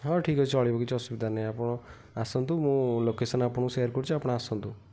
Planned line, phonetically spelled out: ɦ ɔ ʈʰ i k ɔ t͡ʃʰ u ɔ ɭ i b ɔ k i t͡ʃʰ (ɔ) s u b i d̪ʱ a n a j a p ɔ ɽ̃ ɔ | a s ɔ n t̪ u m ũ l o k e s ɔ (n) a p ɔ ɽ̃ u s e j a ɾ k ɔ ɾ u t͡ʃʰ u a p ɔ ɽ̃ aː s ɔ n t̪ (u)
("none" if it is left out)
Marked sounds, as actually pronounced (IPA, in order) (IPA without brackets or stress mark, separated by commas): ɔ, n, u